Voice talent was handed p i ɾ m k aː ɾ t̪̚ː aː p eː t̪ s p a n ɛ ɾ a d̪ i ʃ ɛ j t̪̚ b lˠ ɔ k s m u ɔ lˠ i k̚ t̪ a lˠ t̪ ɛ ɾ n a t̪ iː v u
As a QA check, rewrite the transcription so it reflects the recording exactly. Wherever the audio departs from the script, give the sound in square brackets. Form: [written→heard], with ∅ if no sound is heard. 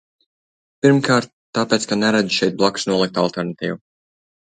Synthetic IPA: p i ɾ m k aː ɾ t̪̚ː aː p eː t̪ s [p→k] a n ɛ ɾ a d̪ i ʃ ɛ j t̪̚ b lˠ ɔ k s [m→n] u ɔ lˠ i k̚ t̪ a lˠ t̪ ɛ ɾ n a t̪ iː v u